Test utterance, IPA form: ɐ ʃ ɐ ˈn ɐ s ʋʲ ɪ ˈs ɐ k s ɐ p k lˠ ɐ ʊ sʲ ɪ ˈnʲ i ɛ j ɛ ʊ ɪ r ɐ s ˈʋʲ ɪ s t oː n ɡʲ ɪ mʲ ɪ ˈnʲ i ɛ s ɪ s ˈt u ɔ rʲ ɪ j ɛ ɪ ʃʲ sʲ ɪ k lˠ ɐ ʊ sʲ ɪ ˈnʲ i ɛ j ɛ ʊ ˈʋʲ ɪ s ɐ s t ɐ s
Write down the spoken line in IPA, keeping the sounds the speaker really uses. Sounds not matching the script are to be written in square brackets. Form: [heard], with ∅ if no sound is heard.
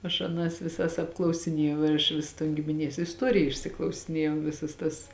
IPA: ɐ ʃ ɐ ˈn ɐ s ʋʲ ɪ ˈs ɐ [∅] s ɐ p k lˠ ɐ ʊ sʲ ɪ ˈnʲ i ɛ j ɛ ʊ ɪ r ɐ [ʃ] ˈʋʲ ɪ s t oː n ɡʲ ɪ mʲ ɪ ˈnʲ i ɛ s ɪ s ˈt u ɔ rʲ ɪ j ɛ ɪ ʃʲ sʲ ɪ k lˠ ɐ ʊ sʲ ɪ ˈnʲ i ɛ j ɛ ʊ ˈʋʲ ɪ s ɐ s t ɐ s